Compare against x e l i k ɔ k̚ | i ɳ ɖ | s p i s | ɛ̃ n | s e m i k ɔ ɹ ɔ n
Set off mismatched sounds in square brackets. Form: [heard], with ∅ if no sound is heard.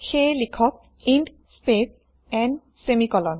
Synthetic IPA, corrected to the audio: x e l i [kʰ] ɔ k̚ | i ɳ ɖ | s p [e] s | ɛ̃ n | s e m i k ɔ [l] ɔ n